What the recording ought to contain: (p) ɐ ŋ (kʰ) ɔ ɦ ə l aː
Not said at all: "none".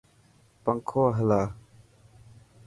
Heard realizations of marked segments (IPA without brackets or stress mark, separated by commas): p, kʰ